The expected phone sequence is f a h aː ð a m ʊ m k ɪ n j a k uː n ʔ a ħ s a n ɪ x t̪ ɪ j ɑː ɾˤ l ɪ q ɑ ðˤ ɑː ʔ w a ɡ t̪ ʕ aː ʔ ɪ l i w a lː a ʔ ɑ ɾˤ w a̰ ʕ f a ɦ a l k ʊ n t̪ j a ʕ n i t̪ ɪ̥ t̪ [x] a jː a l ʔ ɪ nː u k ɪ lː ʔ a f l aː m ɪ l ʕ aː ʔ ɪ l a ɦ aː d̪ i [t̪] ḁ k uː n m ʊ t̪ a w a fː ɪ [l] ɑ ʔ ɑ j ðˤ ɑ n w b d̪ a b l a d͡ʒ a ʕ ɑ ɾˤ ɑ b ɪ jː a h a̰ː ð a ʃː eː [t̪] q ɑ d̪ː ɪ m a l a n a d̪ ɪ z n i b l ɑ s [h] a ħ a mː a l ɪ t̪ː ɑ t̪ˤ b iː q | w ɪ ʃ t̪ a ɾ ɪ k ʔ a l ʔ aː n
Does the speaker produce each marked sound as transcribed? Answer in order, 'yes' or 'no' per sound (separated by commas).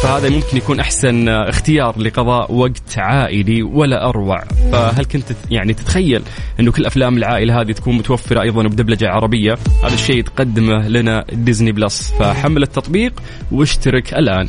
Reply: yes, yes, no, yes, no